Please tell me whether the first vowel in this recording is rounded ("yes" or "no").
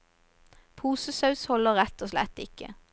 yes